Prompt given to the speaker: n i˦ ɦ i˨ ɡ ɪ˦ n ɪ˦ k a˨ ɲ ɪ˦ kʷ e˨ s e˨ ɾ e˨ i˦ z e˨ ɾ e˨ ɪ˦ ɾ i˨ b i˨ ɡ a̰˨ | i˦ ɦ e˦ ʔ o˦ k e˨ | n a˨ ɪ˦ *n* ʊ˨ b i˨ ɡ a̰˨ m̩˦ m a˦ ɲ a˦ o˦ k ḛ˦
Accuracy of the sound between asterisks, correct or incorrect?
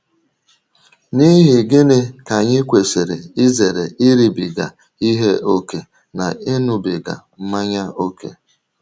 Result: correct